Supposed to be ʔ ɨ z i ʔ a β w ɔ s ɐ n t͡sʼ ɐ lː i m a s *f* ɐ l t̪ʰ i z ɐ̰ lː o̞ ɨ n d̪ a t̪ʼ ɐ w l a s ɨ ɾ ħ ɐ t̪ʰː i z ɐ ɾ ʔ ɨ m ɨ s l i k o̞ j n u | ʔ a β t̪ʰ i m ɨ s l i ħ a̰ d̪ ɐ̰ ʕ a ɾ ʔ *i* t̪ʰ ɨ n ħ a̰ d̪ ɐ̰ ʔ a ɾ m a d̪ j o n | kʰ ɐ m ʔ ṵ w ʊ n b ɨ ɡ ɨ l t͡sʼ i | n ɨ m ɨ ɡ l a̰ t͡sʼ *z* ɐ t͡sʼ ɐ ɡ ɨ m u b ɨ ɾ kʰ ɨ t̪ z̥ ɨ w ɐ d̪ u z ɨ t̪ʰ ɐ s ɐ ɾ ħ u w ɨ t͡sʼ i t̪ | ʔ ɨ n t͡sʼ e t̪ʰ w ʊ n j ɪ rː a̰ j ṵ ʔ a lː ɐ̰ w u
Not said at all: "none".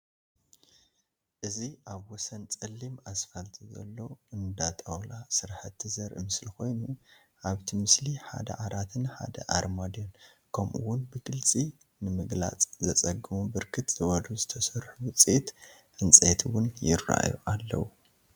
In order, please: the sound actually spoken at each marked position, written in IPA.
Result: f, a, z

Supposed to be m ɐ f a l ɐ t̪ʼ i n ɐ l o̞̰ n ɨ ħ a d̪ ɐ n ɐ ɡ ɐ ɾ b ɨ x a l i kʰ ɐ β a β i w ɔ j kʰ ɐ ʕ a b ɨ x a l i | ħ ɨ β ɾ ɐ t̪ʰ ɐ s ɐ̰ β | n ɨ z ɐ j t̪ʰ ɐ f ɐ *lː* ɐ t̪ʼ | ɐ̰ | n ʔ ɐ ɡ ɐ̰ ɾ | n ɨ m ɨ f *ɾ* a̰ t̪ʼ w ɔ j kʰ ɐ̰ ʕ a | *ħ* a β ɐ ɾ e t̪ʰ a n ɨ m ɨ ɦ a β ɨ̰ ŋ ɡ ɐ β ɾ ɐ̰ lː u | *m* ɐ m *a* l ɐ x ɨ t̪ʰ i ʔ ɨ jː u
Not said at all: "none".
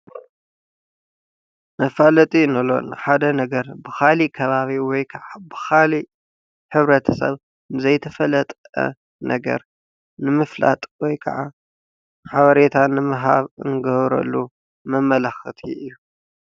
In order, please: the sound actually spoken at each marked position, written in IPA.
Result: l, l, ħ, m, ɐ

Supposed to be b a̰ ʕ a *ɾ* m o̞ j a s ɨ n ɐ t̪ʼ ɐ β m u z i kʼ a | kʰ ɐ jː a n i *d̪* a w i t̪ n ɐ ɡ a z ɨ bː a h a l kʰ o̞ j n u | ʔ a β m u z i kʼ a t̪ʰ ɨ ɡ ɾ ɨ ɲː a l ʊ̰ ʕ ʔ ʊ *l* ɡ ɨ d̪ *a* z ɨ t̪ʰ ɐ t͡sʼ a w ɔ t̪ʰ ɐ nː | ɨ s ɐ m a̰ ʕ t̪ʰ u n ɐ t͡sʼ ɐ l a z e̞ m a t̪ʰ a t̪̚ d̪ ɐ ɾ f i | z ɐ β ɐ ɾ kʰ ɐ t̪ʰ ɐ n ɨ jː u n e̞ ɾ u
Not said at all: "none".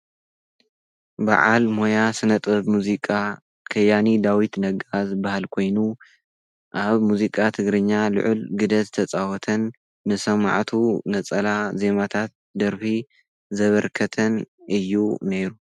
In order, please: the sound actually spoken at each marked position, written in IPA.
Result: l, d̪, l, ɐ

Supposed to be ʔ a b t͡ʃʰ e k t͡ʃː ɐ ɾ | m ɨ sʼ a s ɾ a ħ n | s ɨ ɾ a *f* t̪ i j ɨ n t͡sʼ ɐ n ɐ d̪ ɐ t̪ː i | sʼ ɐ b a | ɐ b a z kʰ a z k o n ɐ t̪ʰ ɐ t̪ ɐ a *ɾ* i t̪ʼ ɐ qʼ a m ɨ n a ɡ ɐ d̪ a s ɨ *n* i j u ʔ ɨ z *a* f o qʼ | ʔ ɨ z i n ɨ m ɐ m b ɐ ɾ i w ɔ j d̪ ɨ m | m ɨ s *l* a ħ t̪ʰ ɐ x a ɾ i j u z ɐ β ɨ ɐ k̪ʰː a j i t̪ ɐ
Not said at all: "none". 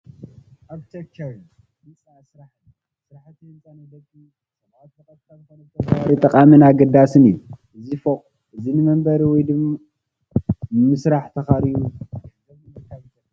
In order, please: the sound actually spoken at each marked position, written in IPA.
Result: ħ, ɾ, n, i, ɾ

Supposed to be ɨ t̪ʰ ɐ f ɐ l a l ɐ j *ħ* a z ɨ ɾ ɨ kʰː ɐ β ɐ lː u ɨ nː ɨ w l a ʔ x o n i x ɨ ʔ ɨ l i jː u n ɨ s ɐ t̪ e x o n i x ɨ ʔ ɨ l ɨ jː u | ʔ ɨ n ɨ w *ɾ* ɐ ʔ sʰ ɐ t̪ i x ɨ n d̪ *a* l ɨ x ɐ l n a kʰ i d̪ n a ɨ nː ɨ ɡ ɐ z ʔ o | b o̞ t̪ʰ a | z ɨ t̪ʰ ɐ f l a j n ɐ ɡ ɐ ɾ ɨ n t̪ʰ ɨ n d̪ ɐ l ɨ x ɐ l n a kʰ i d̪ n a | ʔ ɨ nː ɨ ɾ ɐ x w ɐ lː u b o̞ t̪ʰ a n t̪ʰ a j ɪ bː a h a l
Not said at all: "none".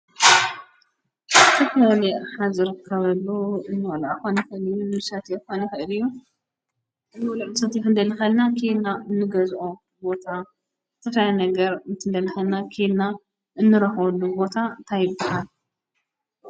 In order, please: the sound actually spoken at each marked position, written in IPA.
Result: ħ, l, ɐ

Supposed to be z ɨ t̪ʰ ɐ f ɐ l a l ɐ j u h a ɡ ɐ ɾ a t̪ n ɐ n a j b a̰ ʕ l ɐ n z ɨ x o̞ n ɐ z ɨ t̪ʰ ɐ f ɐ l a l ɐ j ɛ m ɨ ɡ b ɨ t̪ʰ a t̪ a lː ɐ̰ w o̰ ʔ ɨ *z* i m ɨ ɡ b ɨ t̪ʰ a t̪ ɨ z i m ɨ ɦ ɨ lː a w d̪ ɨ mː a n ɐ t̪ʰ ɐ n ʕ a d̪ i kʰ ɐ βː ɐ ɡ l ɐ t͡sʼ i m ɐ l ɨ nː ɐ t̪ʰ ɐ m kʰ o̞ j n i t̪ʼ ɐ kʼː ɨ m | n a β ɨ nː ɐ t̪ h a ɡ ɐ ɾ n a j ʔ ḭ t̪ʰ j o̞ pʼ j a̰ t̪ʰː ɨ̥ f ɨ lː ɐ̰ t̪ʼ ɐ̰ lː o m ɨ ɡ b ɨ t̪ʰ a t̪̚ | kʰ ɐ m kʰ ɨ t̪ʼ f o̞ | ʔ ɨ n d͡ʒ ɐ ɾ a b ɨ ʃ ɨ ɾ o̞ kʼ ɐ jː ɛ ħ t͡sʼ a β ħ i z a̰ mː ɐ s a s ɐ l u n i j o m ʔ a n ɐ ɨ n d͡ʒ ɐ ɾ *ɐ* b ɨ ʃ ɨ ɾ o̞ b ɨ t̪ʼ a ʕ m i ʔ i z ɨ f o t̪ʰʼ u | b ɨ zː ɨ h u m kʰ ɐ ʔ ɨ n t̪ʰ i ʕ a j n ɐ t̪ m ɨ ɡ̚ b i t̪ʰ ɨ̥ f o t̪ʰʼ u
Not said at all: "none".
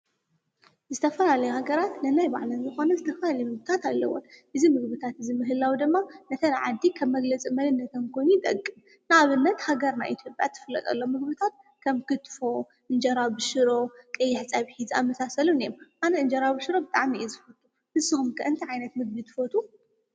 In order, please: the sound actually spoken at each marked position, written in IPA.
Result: z, a

